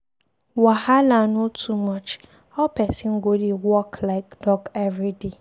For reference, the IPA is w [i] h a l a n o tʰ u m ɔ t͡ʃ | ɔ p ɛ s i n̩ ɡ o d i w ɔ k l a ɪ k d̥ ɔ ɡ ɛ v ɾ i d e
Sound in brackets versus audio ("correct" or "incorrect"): incorrect